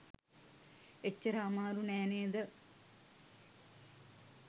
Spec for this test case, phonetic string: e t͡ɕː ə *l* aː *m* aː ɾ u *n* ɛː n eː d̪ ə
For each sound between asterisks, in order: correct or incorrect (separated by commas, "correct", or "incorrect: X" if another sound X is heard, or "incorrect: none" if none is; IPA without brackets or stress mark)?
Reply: incorrect: ɾ, correct, correct